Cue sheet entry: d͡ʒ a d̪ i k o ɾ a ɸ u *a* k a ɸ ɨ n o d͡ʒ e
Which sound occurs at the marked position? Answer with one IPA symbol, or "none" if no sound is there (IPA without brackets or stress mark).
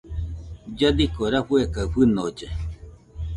e